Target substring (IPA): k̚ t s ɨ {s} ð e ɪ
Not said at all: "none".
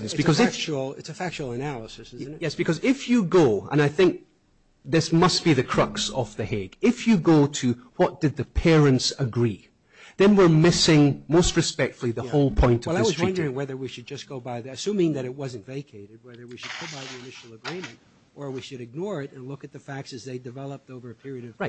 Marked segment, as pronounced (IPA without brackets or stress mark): z